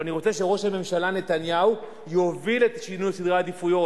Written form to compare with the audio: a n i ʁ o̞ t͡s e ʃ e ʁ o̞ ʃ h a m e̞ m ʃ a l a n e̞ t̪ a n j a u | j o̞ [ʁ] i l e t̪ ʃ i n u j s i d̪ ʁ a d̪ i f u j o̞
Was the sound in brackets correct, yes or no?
no